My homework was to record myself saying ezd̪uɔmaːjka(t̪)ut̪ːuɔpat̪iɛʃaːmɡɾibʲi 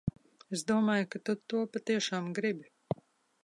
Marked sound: correct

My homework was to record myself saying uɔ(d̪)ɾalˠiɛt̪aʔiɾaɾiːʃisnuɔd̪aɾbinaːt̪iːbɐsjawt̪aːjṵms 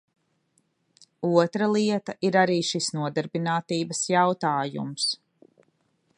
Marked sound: incorrect: t̪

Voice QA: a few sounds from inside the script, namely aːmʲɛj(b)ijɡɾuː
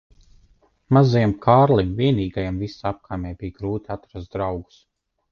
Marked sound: correct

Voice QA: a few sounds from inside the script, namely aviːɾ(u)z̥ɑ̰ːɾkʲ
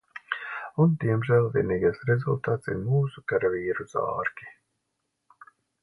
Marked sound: correct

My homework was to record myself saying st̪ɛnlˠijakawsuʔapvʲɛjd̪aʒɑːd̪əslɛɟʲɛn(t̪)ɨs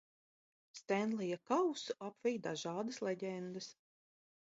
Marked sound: incorrect: d̪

